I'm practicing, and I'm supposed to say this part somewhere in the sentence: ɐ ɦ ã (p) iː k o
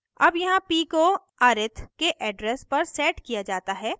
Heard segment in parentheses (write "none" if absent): p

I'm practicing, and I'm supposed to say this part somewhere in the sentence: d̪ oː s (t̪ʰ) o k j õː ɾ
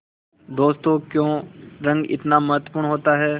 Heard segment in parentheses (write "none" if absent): t̪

